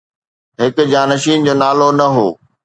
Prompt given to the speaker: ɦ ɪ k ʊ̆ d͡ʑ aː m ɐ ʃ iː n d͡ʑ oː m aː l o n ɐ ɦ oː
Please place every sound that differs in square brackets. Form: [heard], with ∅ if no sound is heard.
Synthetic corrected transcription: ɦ ɪ k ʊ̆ d͡ʑ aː [n] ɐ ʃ iː n d͡ʑ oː [n] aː l o n ɐ ɦ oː